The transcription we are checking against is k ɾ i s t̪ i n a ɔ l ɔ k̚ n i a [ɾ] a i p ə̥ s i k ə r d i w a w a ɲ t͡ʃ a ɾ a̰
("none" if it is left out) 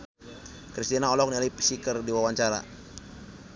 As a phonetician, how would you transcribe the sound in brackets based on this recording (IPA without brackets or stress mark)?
l